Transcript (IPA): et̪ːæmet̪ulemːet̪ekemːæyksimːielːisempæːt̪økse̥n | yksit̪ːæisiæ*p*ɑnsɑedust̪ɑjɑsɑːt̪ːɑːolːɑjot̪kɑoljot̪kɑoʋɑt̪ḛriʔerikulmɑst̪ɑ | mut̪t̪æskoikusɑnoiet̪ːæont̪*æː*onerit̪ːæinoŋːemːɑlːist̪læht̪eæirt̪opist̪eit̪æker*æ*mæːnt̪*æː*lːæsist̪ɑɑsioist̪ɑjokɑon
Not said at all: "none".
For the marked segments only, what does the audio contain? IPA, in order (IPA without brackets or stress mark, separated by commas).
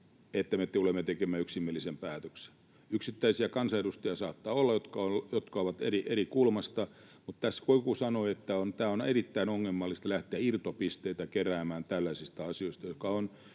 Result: k, æː, æː, æ